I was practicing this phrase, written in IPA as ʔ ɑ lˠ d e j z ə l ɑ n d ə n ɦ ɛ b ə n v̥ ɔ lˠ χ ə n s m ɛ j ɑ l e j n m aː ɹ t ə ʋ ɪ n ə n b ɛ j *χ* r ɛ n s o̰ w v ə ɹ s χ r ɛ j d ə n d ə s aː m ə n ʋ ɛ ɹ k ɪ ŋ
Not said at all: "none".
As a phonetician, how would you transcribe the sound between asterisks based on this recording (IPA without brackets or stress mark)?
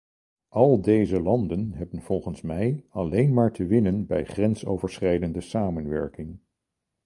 χ